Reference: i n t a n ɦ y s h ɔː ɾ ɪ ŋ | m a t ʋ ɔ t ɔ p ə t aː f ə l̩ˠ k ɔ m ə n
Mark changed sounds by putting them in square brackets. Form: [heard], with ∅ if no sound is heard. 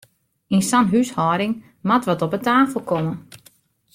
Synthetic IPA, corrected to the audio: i n [s] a n ɦ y s h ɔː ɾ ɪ ŋ | m a t ʋ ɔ t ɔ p ə t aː f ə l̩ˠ k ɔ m ə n